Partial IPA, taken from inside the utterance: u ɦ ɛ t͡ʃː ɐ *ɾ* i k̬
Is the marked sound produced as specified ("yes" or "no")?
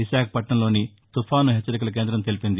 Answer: yes